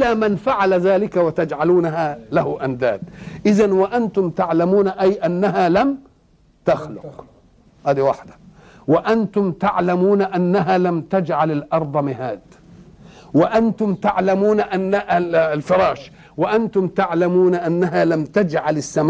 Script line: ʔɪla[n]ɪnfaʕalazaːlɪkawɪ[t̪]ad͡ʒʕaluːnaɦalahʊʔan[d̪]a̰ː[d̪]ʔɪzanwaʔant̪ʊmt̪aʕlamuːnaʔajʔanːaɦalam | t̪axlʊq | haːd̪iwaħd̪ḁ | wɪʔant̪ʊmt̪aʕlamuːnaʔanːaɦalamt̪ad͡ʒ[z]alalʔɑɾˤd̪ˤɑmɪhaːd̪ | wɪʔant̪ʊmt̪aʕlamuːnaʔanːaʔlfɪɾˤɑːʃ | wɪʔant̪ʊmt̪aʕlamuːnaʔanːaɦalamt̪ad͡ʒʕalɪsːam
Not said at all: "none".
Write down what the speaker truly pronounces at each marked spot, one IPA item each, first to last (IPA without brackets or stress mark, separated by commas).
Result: m, t̪, d̪, d̪, ʕ